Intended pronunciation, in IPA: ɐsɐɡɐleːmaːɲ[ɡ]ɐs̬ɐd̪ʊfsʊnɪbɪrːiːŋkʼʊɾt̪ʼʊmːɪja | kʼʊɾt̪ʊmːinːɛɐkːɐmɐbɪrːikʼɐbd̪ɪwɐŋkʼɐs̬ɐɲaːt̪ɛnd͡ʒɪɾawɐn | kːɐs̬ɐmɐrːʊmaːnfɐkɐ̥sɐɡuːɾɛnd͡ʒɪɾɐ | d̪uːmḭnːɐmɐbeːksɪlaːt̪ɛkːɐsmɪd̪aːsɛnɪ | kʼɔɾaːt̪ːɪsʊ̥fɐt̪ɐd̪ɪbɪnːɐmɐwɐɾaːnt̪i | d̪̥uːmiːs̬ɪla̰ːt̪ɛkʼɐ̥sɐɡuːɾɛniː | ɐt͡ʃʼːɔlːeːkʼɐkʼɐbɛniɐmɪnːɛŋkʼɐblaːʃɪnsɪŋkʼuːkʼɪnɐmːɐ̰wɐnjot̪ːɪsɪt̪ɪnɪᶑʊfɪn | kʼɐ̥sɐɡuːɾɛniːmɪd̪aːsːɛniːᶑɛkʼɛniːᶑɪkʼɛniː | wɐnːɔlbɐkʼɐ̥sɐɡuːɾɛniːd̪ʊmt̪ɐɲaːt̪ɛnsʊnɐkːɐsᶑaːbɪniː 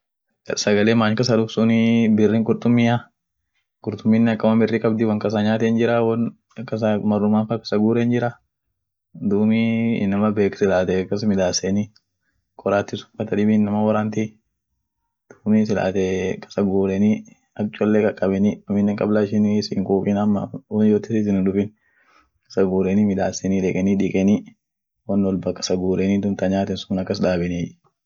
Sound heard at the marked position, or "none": k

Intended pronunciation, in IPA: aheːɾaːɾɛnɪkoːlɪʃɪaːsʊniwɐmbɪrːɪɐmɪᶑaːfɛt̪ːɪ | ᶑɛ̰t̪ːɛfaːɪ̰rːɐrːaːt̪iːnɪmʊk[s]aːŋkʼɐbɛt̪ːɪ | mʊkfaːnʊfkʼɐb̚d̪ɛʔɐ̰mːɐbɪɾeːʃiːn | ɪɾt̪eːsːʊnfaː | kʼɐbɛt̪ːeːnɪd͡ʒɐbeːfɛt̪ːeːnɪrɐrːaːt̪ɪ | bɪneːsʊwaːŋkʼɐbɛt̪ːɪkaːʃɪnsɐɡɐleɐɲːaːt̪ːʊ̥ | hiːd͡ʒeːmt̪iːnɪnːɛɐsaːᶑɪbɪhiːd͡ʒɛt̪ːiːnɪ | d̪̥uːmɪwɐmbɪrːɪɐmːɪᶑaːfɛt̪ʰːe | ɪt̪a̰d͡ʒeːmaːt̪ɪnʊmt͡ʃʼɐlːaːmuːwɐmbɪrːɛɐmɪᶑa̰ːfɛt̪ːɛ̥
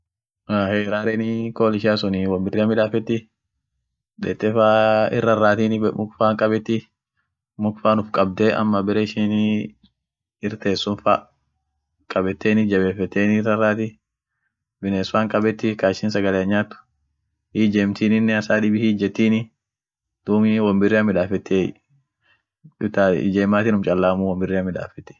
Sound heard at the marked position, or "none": f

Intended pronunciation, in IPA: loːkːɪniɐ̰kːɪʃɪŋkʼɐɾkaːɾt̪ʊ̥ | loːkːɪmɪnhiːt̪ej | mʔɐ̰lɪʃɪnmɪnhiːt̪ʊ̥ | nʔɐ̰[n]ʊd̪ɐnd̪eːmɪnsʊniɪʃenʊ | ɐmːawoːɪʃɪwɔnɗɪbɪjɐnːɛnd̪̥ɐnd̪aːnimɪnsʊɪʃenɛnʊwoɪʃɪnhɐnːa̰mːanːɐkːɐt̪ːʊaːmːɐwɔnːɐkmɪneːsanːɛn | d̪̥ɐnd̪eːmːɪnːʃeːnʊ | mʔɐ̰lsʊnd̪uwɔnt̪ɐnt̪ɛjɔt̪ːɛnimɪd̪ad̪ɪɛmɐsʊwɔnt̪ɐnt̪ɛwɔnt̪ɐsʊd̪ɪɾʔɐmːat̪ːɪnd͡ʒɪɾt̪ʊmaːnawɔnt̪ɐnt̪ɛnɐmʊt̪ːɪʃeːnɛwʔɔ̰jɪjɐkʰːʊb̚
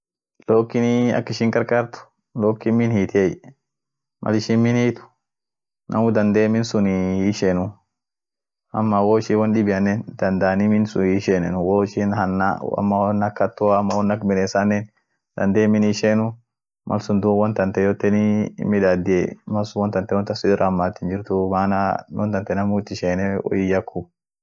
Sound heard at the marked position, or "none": m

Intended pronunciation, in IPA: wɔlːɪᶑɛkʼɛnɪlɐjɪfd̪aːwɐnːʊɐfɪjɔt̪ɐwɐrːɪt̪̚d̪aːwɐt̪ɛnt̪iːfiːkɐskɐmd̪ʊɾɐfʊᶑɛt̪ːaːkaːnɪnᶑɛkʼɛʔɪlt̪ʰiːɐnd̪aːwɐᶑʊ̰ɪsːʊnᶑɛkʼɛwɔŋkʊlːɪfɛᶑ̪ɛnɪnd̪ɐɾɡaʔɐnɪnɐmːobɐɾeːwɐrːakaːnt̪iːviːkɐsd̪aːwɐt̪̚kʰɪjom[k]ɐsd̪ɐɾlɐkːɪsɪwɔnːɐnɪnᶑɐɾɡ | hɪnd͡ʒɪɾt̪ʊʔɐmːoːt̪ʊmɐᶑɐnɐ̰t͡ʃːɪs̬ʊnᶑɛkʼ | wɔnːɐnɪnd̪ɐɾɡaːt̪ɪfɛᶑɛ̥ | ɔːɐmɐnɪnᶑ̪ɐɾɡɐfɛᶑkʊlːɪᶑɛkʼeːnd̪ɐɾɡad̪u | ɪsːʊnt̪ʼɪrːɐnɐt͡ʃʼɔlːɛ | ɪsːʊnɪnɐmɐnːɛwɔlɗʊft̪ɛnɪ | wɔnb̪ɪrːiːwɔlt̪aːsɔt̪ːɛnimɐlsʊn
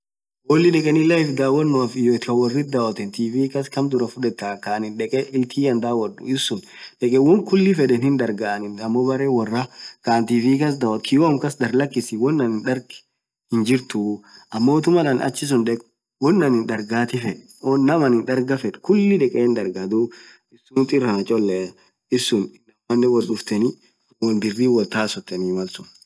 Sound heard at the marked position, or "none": k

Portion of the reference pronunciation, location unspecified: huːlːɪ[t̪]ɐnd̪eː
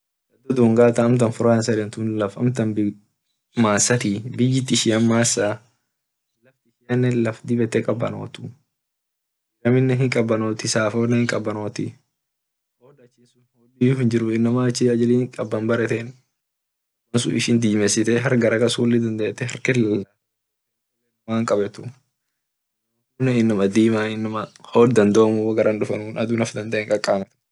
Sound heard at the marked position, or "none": d̪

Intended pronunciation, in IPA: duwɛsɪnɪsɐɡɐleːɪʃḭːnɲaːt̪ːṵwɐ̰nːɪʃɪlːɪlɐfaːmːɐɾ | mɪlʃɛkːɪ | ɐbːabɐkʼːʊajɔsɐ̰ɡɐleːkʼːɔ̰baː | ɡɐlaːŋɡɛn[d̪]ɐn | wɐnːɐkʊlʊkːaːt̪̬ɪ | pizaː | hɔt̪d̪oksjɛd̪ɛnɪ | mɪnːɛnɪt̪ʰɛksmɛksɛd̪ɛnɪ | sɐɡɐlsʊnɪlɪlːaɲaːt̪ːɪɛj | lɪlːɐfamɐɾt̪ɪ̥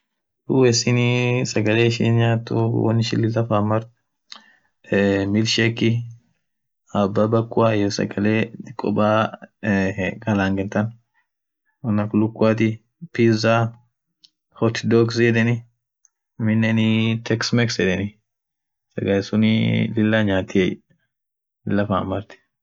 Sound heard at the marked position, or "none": t̪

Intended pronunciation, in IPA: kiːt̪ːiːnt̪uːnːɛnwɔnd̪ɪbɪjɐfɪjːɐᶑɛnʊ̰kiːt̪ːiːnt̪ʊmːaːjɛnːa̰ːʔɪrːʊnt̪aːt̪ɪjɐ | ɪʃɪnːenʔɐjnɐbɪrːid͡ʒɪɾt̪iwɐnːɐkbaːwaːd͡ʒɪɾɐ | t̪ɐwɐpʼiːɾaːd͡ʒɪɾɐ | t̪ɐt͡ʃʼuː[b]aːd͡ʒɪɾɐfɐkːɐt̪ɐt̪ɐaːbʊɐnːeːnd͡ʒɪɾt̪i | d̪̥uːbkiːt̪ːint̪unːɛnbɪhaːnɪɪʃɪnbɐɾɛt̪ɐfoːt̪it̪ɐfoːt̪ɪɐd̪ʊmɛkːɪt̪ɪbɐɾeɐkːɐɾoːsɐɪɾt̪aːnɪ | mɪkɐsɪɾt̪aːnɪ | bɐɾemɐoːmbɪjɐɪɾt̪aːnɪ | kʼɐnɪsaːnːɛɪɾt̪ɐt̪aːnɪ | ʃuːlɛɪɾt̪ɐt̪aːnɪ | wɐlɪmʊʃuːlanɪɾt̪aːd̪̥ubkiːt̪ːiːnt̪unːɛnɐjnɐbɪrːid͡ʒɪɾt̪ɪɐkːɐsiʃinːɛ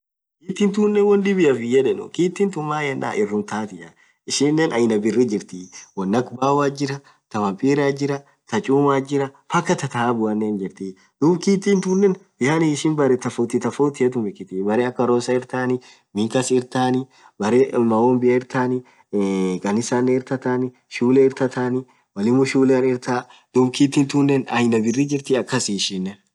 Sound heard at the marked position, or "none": m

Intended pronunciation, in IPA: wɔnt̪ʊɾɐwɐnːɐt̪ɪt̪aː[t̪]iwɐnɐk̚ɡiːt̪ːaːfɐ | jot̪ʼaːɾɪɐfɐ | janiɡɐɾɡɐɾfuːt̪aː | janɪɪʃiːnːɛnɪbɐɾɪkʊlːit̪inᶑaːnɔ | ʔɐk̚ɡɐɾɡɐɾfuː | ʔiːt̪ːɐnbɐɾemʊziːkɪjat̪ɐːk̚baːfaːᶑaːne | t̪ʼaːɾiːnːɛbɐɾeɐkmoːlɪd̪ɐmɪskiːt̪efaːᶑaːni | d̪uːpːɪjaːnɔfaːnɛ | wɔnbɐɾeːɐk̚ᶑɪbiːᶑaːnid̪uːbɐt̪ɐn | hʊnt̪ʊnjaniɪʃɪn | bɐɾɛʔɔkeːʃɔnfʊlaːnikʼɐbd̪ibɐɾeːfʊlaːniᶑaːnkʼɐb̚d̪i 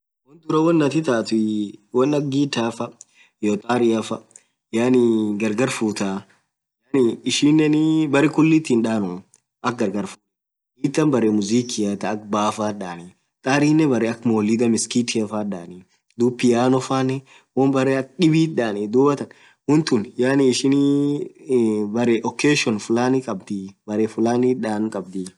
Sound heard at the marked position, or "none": t̪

